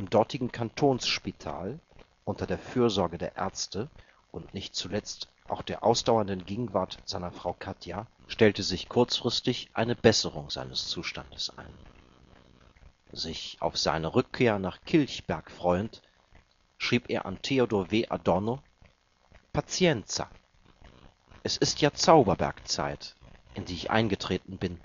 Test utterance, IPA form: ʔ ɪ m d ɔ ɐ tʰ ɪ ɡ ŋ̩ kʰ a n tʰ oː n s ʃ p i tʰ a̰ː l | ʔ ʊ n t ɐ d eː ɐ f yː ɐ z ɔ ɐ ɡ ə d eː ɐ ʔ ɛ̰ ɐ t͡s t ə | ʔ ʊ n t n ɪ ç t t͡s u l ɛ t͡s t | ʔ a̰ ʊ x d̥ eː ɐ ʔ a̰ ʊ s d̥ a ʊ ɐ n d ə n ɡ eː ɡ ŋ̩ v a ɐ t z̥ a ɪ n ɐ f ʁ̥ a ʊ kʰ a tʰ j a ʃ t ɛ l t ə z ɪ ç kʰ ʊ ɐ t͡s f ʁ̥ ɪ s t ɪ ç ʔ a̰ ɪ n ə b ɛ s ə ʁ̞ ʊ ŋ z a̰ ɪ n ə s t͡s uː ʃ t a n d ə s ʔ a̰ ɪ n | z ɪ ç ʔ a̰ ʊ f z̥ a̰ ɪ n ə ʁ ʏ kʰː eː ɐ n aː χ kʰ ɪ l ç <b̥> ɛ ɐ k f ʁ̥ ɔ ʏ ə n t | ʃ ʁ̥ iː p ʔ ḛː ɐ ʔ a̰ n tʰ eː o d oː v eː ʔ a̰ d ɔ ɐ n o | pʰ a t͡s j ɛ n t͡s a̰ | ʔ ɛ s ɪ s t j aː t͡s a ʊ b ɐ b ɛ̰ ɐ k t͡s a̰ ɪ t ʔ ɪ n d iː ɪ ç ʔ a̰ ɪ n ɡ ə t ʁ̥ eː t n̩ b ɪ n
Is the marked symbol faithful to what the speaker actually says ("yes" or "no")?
yes